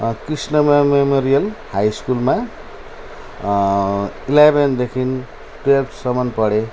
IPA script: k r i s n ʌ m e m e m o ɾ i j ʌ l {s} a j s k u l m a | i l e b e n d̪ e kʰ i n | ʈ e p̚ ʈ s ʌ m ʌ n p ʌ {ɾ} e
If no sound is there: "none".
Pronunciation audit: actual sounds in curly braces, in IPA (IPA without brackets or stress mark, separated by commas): h, ɽ